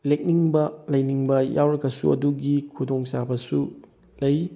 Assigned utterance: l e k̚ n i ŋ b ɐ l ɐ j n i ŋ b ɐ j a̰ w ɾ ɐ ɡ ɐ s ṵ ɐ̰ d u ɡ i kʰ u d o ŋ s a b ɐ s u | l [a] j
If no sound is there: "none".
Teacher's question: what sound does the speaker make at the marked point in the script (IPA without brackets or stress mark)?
ɐ